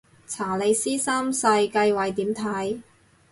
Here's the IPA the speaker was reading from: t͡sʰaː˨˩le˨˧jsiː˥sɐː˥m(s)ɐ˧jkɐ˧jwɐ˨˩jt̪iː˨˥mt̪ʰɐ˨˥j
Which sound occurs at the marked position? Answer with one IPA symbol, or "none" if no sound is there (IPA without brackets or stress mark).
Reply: s